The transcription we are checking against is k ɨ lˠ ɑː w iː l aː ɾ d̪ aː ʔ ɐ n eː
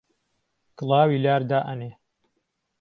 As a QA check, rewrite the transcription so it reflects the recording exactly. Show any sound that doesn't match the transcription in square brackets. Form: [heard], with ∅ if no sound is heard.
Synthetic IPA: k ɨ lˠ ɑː w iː l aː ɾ d̪ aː ʔ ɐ n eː